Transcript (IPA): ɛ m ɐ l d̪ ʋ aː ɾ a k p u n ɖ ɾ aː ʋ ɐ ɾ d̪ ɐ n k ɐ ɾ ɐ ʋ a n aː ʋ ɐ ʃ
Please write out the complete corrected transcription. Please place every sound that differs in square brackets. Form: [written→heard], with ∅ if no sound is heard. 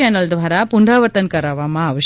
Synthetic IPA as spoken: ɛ [m→n] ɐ l d̪ ʋ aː ɾ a [k→∅] p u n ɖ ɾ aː ʋ ɐ ɾ [d̪→t̪] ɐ n k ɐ ɾ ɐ ʋ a [n→m] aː ʋ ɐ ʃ